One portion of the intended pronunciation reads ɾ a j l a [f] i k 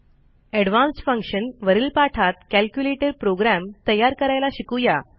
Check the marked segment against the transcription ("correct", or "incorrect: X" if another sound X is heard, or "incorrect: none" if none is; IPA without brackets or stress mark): incorrect: ɕ